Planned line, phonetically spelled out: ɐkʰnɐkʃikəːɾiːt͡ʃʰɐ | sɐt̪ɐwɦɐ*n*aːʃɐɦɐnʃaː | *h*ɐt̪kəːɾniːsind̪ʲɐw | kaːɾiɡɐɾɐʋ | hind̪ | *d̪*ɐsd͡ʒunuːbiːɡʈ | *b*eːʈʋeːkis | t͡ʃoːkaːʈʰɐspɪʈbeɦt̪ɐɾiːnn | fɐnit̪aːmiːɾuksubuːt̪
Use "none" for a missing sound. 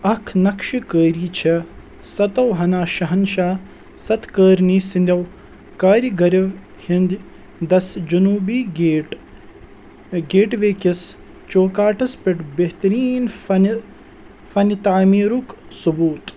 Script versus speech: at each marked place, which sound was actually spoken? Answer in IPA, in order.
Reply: n, s, d̪, ɡ

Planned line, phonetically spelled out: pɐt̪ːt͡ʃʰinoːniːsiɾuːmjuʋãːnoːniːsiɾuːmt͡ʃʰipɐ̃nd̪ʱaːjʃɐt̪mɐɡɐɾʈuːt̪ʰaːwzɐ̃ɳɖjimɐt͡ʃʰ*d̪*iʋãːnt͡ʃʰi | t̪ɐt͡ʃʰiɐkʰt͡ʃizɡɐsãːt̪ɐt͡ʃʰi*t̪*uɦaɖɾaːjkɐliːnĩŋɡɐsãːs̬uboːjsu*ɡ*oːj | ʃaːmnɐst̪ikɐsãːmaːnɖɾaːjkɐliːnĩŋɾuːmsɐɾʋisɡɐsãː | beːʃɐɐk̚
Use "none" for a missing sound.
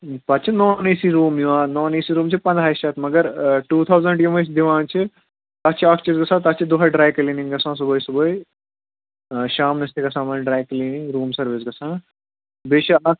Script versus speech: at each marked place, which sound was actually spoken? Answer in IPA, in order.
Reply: d̪, d̪, b

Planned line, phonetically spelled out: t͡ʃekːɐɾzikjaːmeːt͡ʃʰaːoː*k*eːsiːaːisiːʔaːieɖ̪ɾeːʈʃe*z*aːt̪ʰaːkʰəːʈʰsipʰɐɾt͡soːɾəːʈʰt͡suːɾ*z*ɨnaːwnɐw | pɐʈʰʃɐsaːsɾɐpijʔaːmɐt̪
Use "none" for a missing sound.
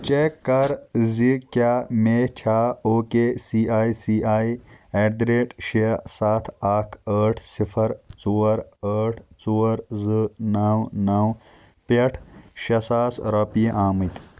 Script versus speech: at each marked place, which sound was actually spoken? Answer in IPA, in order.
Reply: k, s, z

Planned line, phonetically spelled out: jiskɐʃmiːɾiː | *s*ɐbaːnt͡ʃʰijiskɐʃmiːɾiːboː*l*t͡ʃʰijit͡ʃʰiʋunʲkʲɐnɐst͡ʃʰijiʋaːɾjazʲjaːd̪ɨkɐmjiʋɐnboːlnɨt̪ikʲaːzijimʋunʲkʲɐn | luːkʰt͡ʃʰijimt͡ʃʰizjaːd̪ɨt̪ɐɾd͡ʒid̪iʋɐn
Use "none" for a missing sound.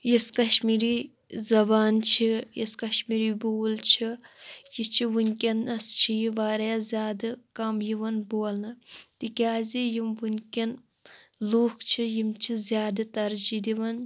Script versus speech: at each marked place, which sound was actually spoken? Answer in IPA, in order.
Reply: z, l

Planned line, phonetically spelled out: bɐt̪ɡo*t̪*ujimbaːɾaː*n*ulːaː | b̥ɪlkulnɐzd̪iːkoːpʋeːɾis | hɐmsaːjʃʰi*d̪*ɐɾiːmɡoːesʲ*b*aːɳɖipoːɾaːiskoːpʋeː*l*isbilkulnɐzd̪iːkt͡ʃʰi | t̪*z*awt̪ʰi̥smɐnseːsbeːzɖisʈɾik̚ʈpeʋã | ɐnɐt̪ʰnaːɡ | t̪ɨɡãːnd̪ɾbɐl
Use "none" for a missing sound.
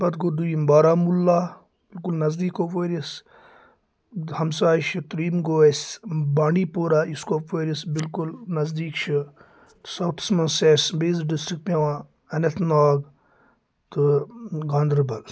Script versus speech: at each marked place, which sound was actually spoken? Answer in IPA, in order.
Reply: d̪, m, t̪, b, ɾ, s

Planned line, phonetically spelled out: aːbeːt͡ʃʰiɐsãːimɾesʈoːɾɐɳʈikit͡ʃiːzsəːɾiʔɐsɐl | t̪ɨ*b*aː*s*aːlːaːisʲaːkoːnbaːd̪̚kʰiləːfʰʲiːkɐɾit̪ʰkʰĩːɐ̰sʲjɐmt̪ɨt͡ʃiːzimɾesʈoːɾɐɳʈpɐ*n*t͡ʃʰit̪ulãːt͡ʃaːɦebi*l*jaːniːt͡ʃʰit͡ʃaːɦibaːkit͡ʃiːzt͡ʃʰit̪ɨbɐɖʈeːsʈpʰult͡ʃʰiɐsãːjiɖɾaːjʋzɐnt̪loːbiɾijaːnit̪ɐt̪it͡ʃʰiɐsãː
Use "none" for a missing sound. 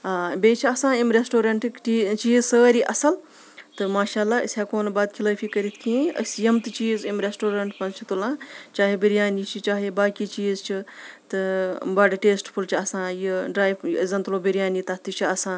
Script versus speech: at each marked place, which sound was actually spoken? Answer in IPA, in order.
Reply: m, ʃ, n, ɾ

